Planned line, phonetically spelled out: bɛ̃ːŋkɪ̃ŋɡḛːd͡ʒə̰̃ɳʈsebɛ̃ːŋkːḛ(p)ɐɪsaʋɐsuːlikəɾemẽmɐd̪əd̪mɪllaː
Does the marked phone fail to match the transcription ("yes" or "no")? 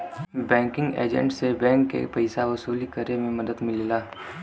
no